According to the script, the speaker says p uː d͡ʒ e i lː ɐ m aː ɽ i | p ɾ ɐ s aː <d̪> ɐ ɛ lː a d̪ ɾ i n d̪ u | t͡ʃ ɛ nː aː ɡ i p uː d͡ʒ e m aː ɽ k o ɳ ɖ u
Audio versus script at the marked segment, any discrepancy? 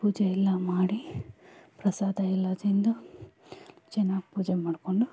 no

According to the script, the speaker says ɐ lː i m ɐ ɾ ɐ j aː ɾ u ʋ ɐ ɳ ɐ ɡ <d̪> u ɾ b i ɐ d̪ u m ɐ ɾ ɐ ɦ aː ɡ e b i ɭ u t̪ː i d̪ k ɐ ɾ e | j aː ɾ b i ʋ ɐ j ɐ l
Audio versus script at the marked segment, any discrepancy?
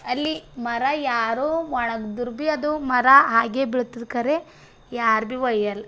no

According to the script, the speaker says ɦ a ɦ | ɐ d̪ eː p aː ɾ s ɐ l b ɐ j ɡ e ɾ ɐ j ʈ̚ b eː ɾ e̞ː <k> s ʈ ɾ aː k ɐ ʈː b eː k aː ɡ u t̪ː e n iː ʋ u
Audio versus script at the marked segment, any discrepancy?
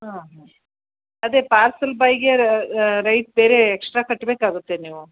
no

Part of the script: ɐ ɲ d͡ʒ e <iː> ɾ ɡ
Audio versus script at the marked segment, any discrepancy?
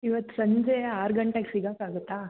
yes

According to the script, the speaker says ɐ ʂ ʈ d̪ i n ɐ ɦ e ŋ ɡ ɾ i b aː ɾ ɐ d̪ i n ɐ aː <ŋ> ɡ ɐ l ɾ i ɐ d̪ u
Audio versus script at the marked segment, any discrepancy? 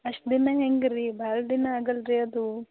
yes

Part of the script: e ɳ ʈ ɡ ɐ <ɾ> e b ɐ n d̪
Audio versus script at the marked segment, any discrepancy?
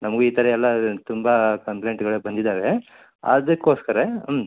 yes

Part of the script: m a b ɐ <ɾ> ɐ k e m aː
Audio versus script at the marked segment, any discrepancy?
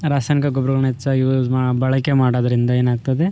yes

